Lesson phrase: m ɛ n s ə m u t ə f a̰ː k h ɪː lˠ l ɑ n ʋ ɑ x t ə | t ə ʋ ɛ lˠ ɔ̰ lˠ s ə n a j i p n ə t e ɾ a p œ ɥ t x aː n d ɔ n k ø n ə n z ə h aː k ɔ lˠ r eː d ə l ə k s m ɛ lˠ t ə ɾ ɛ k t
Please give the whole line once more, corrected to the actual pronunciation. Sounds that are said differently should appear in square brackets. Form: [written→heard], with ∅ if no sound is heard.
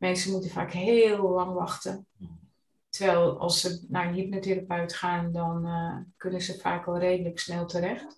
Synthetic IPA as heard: m ɛ n s ə m u t ə f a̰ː k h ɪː lˠ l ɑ [n→ŋ] ʋ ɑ x t ə | t ə ʋ ɛ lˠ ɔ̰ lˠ s ə n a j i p n ə t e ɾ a p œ ɥ t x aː n d ɔ n k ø n ə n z ə [h→f] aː k ɔ lˠ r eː d ə l ə k s [m→n] ɛ lˠ t ə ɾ ɛ [k→x] t